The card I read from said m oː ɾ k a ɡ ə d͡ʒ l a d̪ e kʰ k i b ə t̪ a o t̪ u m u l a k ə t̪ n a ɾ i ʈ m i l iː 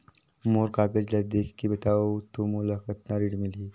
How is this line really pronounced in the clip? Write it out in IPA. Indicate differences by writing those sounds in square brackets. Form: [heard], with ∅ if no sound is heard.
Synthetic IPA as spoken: m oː ɾ k a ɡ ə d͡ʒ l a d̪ e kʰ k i b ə t̪ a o t̪ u m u l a k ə t̪ n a ɾ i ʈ m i l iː